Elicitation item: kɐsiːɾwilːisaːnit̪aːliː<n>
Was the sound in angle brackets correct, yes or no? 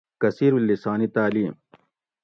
no